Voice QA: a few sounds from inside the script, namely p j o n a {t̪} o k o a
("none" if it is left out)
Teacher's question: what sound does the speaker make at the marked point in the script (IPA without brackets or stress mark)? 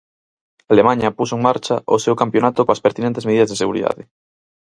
t̪